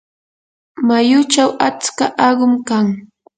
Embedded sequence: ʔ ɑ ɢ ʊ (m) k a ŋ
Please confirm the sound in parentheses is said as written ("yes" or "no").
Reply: yes